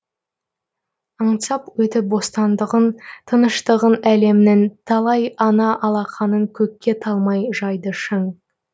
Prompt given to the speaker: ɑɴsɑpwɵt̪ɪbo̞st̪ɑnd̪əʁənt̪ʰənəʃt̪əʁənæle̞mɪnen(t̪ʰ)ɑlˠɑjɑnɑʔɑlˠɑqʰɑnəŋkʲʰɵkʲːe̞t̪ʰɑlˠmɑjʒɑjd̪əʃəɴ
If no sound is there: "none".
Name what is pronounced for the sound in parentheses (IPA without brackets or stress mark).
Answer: t̪ʰ